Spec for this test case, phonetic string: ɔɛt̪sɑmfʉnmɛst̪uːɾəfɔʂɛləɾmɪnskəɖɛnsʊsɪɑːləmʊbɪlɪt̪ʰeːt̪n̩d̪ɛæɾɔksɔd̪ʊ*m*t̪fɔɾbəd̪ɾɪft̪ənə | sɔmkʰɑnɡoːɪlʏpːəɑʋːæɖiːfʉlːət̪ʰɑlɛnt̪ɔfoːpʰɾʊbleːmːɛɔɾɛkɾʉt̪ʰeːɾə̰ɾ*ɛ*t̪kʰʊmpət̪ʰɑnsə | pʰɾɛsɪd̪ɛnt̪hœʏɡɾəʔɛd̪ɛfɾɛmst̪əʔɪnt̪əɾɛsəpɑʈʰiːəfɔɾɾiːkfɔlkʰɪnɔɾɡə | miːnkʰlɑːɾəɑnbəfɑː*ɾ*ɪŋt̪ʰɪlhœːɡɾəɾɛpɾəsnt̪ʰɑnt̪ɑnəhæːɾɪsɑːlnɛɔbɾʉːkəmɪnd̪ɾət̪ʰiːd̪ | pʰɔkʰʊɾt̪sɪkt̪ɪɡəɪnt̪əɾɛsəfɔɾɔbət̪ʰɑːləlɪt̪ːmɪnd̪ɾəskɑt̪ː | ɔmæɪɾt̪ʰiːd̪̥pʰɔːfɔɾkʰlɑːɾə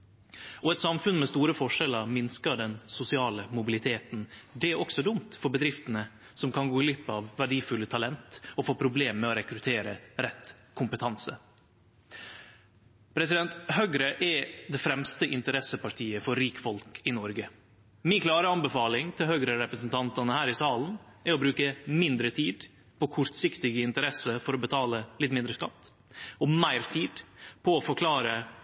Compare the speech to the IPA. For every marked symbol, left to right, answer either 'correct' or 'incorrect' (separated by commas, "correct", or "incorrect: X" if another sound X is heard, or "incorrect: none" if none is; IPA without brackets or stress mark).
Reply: correct, correct, incorrect: l